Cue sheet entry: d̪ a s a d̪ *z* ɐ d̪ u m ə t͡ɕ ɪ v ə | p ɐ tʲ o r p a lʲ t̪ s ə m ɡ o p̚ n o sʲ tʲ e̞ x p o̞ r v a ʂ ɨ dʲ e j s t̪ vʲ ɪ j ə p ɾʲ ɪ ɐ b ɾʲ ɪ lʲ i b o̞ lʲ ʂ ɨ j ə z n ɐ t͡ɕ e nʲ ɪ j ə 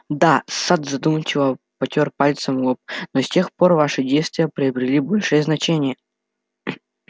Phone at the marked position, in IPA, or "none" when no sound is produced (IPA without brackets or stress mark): z